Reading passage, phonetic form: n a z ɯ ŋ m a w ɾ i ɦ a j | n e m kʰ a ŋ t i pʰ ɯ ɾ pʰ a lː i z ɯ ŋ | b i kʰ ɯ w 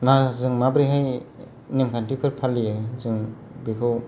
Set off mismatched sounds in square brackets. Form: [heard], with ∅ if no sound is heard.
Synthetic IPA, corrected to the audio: n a z ɯ ŋ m a [b] ɾ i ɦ a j | n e m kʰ a [n] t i pʰ ɯ ɾ pʰ a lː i z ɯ ŋ | b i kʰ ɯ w